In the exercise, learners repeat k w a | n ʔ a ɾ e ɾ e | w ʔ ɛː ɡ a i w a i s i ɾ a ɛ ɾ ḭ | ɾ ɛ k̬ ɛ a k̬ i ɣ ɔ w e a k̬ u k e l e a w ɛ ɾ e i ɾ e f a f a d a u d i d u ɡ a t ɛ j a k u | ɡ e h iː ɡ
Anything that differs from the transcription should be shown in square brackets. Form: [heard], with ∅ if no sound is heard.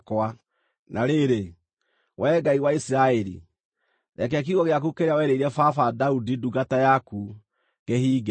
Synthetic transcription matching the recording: k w a | n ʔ a ɾ e ɾ e | w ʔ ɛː ɡ a i w a i s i ɾ a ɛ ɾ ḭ | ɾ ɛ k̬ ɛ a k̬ i ɣ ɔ [ɣ] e a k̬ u k e [ɾ] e a w ɛ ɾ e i ɾ [ɛ] f a f a d a u d i d u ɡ a t [a] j a k u | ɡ e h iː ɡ